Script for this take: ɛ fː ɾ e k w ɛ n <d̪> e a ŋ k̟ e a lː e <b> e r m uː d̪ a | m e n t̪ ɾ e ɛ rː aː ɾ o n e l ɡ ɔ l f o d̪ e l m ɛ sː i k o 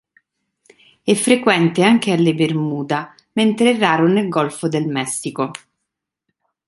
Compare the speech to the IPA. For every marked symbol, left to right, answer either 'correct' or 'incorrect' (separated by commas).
incorrect, correct